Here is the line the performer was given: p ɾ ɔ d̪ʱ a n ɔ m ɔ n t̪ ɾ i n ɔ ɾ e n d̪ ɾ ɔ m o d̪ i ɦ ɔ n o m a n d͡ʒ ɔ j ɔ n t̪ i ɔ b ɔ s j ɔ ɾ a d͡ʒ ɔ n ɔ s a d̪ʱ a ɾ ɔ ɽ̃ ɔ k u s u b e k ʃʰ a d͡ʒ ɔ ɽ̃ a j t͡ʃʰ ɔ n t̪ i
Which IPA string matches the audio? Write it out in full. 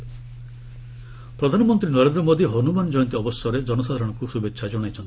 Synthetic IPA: p ɾ ɔ d̪ʱ a n ɔ m ɔ n t̪ ɾ i n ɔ ɾ e n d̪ ɾ ɔ m o d̪ i ɦ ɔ n u m a n d͡ʒ ɔ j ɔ n t̪ i ɔ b ɔ s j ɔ ɾ e d͡ʒ ɔ n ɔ s a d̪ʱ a ɾ ɔ ɽ̃ ɔ k u s u b e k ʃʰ a d͡ʒ ɔ ɽ̃ a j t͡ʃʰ ɔ n t̪ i